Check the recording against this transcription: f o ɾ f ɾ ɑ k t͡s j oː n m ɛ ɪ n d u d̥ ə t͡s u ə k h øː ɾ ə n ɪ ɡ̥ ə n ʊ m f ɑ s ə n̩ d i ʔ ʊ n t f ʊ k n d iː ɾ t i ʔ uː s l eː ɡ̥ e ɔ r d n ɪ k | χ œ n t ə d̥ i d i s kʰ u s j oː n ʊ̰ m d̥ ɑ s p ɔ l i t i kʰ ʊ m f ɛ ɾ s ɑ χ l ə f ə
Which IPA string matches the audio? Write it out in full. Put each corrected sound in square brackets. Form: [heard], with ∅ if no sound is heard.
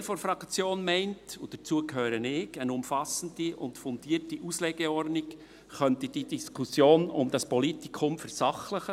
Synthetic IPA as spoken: f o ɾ f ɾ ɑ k t͡s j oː n m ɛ ɪ n [t] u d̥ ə t͡s u ə k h øː ɾ ə n ɪ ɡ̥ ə n ʊ m f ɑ s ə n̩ d i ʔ ʊ n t f ʊ [∅] n d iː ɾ t i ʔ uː s l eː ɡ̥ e ɔ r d n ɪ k | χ œ n t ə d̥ i d i s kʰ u s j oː n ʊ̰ m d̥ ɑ s p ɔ l i t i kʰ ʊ m f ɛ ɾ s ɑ χ l ə [χ] ə